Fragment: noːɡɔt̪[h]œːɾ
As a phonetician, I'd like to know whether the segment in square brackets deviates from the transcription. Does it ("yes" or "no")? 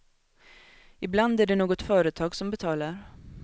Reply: yes